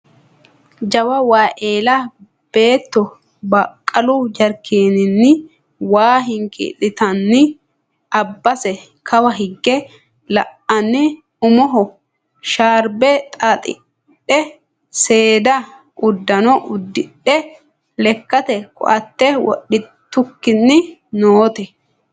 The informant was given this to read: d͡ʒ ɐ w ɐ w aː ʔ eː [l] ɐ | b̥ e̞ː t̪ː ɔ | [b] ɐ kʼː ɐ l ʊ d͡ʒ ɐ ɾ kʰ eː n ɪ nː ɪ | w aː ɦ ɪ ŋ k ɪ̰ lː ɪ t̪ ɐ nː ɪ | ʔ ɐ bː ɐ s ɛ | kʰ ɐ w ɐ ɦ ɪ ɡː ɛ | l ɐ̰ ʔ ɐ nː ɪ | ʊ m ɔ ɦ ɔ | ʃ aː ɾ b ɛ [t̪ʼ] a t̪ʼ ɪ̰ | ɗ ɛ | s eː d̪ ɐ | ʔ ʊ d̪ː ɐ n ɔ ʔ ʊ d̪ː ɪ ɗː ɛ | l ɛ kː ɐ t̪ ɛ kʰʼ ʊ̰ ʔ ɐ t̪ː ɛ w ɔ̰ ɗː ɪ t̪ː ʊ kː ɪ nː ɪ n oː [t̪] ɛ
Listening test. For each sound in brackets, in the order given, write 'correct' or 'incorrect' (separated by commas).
correct, correct, correct, correct